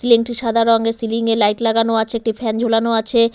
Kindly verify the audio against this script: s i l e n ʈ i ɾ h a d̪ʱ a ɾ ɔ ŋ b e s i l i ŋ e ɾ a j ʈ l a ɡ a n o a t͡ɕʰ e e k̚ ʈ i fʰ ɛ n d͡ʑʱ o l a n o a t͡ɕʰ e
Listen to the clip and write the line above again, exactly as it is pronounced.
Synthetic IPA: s i l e ŋ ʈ i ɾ ʃ a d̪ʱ a ɾ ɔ ŋ ɡ e s i l i ŋ e l a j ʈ l a ɡ a n o a t͡ɕʰ e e k̚ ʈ i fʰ ɛ n d͡ʑʱ o l a n o a t͡ɕʰ e